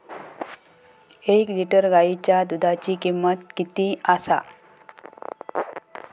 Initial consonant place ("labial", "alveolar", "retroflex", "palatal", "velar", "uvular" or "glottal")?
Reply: velar